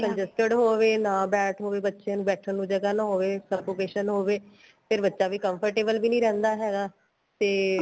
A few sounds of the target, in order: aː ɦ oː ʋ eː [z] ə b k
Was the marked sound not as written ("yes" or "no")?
yes